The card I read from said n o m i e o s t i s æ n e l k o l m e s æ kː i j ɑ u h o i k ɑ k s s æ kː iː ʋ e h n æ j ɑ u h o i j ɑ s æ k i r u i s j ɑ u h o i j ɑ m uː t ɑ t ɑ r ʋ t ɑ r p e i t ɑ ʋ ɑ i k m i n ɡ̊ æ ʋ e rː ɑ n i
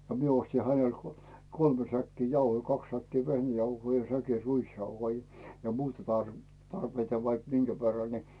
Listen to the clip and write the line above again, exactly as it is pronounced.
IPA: n o m i e o s t i h æ n e l k o l m e s æ kː i j ɑ u h o i k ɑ k s s æ kː iː ʋ e h n æ j ɑ u h o i j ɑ s æ k i r u i s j ɑ u h o i j ɑ m uː t ɑ t ɑ r ʋ t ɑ r p e i t ɑ ʋ ɑ i k m i n ɡ̊ æ ʋ e rː ɑ n i